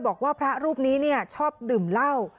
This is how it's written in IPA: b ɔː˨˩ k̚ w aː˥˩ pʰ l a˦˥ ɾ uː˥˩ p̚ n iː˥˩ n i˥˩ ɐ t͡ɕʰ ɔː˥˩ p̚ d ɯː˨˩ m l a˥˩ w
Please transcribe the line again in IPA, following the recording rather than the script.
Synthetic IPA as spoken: b ɔː˨˩ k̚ w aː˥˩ pʰ ɾ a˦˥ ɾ uː˥˩ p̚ n iː˦˥ n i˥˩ ɐ t͡ɕʰ ɔː˥˩ p̚ d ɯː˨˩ m l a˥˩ w